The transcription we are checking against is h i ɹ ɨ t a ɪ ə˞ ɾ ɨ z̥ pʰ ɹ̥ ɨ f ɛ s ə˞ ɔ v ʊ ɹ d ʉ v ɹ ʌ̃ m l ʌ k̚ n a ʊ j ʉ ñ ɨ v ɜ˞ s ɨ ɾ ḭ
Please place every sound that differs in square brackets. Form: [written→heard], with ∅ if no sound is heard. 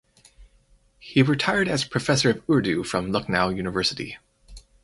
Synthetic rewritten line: h i ɹ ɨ [t→tʰ] a ɪ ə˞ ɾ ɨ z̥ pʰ ɹ̥ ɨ f ɛ s ə˞ [ɔ→ʌ] v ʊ ɹ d ʉ [v→f] ɹ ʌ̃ m l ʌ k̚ n a ʊ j ʉ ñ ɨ v ɜ˞ s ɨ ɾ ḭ